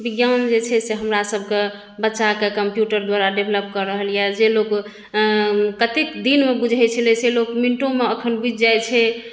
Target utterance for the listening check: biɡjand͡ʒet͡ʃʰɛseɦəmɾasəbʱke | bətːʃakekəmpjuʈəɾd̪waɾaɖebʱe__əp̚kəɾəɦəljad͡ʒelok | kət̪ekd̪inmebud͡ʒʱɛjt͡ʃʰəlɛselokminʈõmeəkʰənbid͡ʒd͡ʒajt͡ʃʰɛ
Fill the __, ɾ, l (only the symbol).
l